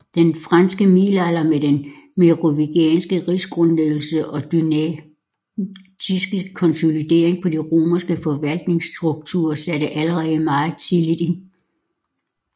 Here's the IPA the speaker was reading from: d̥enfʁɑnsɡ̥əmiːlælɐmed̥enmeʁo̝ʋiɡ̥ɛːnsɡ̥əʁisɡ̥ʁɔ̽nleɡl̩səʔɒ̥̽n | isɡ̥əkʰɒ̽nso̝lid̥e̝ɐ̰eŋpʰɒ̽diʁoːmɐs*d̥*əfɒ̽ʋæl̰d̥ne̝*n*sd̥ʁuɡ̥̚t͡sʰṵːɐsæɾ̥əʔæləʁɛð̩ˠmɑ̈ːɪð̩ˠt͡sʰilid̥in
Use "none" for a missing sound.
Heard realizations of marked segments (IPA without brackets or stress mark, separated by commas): ɡ̥, ŋ